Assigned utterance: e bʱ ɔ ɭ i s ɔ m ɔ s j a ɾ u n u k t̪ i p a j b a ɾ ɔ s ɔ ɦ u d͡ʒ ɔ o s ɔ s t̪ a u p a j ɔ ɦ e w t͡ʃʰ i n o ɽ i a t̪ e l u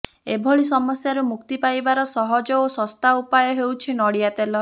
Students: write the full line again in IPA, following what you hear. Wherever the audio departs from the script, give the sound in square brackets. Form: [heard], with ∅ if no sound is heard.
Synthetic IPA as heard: e bʱ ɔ ɭ i s ɔ m ɔ s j a ɾ u [m] u k t̪ i p a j b a ɾ ɔ s ɔ ɦ [ɔ] d͡ʒ ɔ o s ɔ s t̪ a u p a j ɔ ɦ e w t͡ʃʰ i n [ɔ] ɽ i a t̪ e l [ɔ]